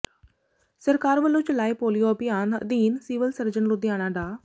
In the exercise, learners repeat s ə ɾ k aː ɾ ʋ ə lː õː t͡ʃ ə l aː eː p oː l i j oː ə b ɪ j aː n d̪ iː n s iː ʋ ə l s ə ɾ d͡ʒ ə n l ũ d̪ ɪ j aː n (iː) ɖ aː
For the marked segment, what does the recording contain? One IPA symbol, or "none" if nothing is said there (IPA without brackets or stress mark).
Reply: aː